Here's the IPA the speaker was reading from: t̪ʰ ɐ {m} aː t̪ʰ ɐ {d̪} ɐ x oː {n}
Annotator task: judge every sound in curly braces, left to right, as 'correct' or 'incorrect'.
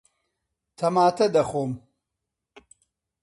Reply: correct, correct, incorrect

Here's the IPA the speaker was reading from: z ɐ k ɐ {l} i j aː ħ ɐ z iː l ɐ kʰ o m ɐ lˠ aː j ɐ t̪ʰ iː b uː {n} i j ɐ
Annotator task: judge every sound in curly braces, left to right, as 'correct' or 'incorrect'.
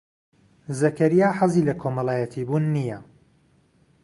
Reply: incorrect, incorrect

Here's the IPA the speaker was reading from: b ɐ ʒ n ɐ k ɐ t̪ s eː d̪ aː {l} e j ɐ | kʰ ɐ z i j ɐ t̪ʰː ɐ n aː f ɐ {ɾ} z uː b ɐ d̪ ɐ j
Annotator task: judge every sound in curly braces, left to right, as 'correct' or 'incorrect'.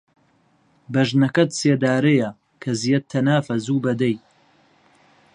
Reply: incorrect, incorrect

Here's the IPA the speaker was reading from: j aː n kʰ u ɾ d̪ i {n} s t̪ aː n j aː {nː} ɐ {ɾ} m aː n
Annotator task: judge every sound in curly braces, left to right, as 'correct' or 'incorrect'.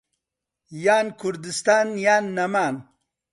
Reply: incorrect, correct, incorrect

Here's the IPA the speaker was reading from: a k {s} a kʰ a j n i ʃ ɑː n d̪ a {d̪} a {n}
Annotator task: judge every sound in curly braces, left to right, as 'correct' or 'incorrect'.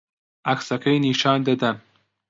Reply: correct, correct, correct

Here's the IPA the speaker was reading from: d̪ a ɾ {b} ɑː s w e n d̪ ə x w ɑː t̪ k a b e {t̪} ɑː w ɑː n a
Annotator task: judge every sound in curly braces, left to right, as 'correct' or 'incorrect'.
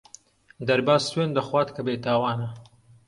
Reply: correct, correct

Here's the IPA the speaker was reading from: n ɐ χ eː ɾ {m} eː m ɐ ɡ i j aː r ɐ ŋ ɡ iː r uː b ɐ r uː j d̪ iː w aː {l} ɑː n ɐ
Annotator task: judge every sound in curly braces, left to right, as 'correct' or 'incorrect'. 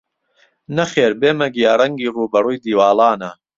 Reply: incorrect, correct

